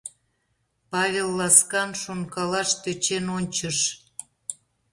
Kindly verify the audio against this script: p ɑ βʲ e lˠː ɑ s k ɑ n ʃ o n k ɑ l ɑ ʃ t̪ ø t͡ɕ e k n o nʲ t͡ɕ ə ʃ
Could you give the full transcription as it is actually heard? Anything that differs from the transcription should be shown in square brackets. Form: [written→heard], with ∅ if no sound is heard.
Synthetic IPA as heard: p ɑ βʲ e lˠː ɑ s k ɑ n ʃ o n k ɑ l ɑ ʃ t̪ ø t͡ɕ e [k→∅] n o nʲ t͡ɕ ə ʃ